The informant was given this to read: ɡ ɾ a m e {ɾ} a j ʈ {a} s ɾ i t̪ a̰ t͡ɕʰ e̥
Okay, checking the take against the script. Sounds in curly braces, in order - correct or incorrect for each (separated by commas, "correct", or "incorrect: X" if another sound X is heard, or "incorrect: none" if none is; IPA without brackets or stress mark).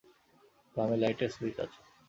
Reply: incorrect: l, incorrect: e